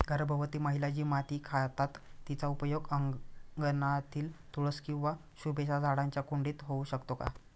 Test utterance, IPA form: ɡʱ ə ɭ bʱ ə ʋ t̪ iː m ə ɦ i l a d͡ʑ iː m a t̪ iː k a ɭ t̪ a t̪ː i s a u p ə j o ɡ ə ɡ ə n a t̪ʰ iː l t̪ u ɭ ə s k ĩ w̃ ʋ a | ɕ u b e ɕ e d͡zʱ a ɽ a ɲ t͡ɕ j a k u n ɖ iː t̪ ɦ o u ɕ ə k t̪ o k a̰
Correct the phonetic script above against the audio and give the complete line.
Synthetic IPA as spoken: ɡʱ ə ɾ bʱ ə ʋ t̪ iː m ə ɦ i l a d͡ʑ iː m a t̪ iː kʰ a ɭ t̪ a t̪ː i t͡s a u p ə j o ɡ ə ɡ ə n a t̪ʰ iː l t̪ u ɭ ə s k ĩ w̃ ʋ a | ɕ u b e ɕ a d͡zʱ a ɽ a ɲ t͡ɕ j a k u ɳ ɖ iː t̪ ɦ o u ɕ ə k t̪ o k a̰